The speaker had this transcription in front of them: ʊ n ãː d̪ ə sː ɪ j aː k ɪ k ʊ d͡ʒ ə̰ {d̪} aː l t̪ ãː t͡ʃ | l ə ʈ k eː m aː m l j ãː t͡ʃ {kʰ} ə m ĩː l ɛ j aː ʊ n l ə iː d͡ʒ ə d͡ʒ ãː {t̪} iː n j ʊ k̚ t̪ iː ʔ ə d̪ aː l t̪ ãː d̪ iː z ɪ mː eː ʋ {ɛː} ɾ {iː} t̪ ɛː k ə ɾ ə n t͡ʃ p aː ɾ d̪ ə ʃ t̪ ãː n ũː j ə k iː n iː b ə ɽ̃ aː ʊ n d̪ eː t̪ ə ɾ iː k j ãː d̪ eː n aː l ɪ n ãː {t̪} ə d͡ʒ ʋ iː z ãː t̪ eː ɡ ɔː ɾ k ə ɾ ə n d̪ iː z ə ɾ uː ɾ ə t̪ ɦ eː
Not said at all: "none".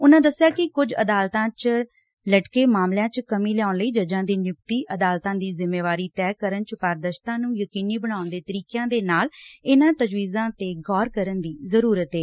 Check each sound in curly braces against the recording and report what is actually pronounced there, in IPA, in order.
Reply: d̪, k, d̪, aː, iː, t̪

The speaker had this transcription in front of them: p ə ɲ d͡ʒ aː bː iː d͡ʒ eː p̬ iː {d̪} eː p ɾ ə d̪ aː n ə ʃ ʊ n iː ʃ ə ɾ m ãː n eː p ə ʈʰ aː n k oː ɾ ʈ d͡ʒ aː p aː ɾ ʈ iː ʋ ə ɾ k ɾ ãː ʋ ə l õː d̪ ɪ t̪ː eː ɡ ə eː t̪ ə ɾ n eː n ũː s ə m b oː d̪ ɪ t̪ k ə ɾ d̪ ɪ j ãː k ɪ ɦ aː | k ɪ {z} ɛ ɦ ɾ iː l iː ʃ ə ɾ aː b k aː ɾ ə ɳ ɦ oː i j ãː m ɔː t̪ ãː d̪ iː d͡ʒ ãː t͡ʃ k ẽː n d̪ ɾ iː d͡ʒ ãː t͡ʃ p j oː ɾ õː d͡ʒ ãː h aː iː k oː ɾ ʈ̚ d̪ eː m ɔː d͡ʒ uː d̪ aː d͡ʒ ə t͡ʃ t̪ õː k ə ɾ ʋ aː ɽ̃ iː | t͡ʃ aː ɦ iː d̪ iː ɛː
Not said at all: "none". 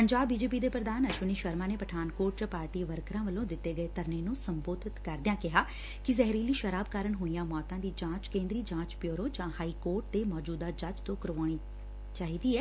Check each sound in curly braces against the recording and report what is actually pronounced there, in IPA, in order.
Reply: d̪, z

